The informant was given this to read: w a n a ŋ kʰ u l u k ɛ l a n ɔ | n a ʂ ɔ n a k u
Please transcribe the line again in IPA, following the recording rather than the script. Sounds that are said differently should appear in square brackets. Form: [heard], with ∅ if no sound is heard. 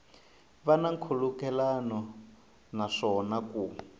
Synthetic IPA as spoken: [β] a n a ŋ kʰ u l u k ɛ l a n ɔ | n a ʂ ɔ n a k u